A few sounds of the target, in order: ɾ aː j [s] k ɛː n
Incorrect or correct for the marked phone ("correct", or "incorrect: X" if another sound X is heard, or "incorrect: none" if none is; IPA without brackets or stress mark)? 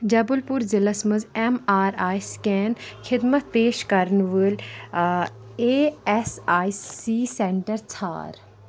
correct